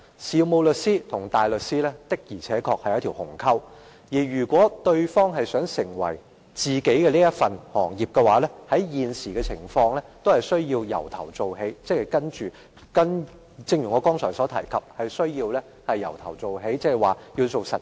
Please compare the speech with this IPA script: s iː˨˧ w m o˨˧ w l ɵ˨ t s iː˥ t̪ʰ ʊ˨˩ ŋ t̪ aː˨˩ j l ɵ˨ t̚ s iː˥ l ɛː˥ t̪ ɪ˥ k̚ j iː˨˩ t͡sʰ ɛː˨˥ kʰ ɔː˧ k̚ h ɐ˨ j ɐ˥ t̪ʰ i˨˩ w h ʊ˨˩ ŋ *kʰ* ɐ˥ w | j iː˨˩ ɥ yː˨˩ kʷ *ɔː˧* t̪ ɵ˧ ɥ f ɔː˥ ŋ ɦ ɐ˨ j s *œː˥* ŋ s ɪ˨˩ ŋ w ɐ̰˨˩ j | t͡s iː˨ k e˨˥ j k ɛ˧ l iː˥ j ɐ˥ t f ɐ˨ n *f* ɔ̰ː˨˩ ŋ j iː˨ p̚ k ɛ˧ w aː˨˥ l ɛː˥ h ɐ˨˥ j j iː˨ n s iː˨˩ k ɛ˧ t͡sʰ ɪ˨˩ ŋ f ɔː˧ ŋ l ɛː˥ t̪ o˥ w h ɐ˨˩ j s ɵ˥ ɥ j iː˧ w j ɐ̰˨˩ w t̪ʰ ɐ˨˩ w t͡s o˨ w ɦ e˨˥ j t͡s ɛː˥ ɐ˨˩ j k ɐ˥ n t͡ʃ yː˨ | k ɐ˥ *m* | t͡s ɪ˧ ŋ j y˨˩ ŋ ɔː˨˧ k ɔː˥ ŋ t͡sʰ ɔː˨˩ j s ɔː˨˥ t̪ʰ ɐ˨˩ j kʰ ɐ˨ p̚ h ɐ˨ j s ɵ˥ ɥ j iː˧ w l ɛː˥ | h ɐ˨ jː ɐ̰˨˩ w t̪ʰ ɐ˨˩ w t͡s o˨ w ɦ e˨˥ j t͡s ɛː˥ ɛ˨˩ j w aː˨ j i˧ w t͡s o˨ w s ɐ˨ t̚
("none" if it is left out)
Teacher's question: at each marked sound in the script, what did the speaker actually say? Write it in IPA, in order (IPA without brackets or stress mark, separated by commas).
kʰ, ɔː˨˥, œː˨˥, h, n